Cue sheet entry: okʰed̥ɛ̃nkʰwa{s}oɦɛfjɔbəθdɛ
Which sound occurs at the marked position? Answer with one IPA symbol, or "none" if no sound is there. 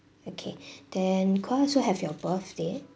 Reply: s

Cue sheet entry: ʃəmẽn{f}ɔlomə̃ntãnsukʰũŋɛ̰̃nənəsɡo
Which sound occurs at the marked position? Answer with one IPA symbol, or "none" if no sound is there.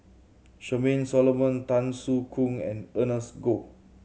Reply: s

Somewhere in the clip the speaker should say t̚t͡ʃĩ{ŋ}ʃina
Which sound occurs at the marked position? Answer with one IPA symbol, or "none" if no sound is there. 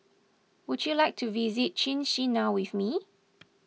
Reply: n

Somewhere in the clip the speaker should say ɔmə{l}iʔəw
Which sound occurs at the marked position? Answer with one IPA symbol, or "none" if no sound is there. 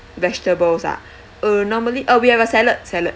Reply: l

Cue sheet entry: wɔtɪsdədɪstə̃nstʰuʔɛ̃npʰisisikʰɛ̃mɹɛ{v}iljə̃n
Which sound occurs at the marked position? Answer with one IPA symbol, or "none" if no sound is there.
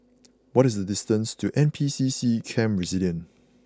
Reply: z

